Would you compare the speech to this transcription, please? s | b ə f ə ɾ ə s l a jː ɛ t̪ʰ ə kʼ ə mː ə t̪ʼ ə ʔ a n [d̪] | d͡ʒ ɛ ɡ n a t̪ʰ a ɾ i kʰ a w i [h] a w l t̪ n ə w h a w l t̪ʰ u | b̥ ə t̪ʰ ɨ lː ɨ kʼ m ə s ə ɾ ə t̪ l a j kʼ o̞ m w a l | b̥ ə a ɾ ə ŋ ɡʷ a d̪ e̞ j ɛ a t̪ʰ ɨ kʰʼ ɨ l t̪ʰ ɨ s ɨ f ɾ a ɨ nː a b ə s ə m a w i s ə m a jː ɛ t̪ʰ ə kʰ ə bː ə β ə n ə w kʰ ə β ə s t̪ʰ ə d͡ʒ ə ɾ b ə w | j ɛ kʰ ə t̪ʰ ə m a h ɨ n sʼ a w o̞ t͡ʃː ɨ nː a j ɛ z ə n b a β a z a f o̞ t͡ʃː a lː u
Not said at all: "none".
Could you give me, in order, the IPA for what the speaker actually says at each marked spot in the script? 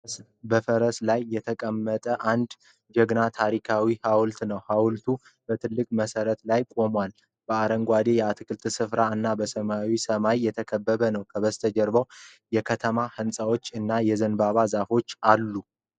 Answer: d̪, h

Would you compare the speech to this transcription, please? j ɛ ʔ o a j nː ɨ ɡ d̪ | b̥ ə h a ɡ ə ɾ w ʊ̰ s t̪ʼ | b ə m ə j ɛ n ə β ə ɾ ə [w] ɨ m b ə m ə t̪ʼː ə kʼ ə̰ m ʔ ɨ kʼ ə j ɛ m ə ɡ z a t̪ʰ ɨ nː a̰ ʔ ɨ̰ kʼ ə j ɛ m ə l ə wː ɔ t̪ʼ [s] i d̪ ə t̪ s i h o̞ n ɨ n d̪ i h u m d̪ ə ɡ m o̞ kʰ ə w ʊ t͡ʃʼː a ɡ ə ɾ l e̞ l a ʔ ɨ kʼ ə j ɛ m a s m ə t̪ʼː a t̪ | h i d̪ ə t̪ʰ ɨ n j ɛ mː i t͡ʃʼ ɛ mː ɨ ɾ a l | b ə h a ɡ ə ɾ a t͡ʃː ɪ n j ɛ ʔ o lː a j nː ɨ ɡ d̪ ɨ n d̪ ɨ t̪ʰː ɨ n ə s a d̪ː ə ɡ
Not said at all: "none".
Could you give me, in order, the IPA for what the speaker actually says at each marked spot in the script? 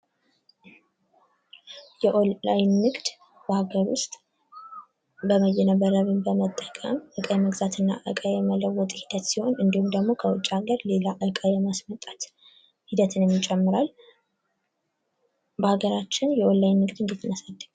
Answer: β, h

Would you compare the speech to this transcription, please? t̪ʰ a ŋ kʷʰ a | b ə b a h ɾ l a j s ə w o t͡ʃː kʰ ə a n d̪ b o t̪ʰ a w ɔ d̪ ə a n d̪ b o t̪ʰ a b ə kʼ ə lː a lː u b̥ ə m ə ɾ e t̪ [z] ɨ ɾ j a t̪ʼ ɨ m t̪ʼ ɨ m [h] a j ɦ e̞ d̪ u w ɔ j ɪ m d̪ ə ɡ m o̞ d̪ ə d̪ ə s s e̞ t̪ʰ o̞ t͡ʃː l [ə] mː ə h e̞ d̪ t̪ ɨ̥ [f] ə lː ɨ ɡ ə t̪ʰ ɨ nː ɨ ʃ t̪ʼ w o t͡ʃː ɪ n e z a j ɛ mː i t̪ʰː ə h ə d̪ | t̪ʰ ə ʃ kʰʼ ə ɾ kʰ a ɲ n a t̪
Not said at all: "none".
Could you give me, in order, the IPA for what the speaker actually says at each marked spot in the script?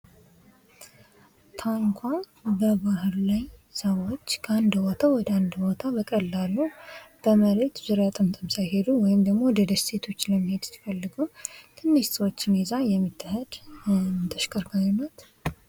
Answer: z, s, ə, f

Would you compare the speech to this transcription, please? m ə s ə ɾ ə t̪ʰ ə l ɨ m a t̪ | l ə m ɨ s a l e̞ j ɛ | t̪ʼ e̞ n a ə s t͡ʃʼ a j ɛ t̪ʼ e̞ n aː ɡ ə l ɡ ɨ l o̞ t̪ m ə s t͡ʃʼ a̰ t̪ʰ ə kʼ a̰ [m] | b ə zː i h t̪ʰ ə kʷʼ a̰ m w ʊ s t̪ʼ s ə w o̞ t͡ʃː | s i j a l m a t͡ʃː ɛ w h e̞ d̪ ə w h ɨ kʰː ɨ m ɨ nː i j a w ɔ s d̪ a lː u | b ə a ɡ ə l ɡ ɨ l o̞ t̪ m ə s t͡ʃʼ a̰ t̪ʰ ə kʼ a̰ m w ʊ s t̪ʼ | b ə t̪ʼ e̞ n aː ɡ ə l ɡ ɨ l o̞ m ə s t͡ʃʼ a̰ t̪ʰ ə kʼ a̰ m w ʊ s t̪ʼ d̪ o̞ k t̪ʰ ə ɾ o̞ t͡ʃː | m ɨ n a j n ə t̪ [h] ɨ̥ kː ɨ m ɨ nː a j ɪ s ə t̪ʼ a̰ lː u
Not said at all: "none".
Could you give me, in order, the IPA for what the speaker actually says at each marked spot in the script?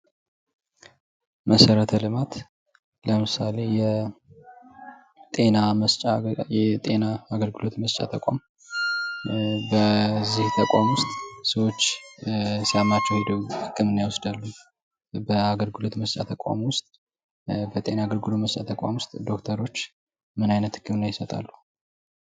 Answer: m, h

